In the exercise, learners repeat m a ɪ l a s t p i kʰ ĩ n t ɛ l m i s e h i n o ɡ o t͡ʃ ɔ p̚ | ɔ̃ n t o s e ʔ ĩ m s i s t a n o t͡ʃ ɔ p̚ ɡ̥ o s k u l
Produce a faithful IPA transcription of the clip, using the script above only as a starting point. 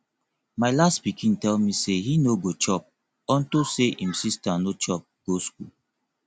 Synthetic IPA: m a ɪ l a s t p i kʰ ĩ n t ɛ l m i s e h i n o ɡ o t͡ʃ ɔ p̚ | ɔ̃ n t o s e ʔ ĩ m s i s t a n o t͡ʃ ɔ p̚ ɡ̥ o s k u l